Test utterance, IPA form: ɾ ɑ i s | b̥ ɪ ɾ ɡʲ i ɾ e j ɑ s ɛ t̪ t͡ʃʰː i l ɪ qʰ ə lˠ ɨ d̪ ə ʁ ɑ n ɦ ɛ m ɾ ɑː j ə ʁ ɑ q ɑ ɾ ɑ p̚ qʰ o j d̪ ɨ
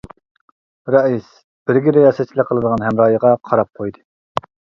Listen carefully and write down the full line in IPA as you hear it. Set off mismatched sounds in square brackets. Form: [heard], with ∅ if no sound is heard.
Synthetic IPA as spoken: ɾ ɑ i s | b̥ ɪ ɾ ɡʲ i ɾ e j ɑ s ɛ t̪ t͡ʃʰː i l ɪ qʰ ə lˠ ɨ d̪ ə ʁ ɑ n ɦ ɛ m ɾ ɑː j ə ʁ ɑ [qʰ] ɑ ɾ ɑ p̚ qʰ o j d̪ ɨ